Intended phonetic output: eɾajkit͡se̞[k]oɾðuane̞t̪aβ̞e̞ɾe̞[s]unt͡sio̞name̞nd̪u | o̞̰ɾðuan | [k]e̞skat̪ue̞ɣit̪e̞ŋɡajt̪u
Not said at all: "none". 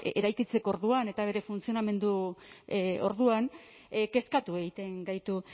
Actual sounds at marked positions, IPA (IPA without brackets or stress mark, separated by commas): k, f, k